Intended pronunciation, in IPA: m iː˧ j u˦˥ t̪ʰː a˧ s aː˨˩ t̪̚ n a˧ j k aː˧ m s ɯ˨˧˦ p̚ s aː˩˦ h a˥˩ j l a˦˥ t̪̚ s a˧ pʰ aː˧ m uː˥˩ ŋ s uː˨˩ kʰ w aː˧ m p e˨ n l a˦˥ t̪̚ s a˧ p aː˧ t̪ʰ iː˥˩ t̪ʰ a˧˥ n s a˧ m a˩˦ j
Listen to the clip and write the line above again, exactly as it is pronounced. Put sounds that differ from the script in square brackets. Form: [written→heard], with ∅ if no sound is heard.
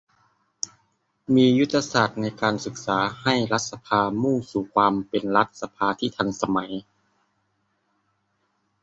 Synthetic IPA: m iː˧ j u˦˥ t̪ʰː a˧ s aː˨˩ t̪̚ n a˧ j k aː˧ [m→n] s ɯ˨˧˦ [p̚→k̚] s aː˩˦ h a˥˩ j l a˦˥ t̪̚ s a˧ pʰ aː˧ m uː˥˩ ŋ s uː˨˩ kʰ w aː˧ m p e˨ n l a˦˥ t̪̚ s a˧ [p→pʰ] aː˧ t̪ʰ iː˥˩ t̪ʰ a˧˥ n s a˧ m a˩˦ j